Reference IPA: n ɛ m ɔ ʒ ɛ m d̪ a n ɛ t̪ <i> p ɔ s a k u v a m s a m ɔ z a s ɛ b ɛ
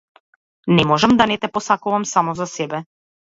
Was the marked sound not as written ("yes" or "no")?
yes